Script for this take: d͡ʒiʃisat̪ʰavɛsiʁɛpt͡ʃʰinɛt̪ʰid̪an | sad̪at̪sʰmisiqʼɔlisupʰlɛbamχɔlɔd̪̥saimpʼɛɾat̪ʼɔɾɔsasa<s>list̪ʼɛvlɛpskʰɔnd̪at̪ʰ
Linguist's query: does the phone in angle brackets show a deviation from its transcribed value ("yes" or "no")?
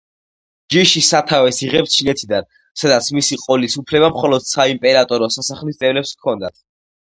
yes